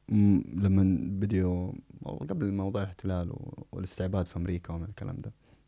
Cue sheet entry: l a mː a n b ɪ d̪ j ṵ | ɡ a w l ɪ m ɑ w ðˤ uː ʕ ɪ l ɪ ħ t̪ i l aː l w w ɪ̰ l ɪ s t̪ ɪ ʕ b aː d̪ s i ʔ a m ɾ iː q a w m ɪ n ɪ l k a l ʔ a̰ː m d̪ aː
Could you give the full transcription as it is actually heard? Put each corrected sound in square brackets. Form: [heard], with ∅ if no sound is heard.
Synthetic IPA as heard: l a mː a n b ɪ d̪ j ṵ | ɡ a [b] l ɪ m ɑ w ðˤ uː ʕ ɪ l ɪ ħ t̪ [ɪ] l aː l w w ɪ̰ l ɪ s t̪ ɪ ʕ b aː d̪ [f] i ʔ a m ɾ iː [k] a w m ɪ n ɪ l k a l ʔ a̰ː m d̪ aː